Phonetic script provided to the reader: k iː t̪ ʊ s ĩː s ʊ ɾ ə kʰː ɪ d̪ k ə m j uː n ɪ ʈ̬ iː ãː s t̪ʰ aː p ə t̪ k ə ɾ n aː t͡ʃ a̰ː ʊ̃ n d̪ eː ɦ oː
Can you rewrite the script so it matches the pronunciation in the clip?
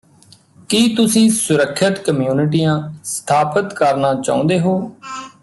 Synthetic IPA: k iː t̪ ʊ s ĩː s ʊ ɾ ə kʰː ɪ t̪ k ə m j uː n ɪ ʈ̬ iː ãː s t̪ʰ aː p ə t̪ k ə ɾ n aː t͡ʃ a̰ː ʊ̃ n d̪ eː ɦ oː